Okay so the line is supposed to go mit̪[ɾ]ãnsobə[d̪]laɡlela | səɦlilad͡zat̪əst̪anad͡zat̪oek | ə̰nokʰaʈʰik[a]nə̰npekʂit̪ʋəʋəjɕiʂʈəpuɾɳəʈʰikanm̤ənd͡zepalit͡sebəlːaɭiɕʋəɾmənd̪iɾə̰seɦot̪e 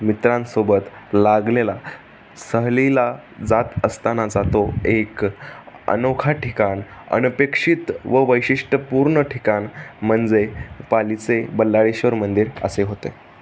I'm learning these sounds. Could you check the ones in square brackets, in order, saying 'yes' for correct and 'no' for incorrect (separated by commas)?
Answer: yes, no, yes